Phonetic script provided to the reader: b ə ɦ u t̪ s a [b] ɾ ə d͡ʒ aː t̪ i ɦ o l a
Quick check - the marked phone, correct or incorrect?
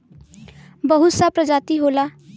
incorrect